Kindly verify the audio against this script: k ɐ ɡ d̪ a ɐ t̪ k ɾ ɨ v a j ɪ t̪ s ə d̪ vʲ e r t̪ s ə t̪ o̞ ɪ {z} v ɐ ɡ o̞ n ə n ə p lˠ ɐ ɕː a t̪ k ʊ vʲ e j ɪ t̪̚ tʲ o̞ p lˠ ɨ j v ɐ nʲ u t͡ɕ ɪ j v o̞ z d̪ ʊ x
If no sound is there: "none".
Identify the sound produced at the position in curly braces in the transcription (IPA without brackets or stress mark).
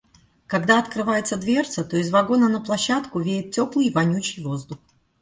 z